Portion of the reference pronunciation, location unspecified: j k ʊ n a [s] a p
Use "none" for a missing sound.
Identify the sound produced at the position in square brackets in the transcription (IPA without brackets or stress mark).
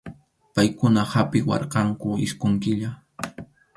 h